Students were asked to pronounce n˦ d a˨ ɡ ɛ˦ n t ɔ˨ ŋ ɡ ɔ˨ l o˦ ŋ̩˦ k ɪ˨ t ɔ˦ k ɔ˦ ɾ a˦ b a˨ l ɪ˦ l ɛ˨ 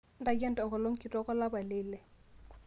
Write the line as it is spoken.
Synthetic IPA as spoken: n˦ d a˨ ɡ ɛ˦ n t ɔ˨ ŋ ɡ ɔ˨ l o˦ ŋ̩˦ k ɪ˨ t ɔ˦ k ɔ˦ l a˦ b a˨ l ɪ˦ l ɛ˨